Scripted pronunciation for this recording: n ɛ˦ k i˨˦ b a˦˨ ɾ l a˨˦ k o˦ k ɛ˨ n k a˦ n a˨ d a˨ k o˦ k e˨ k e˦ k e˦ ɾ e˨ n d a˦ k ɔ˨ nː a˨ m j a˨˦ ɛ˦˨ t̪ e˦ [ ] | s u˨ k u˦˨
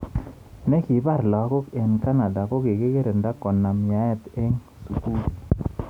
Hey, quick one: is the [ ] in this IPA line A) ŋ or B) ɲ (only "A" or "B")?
A